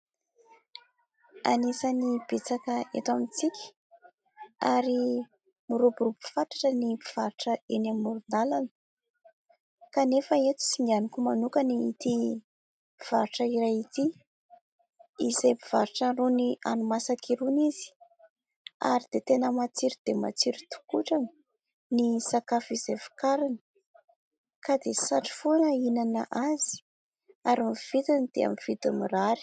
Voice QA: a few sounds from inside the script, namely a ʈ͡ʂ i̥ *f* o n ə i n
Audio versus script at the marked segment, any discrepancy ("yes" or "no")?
no